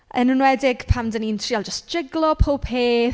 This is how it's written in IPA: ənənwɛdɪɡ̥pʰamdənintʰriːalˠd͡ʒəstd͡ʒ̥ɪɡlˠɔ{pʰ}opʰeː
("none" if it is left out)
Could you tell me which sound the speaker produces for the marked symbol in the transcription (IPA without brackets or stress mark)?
pʰ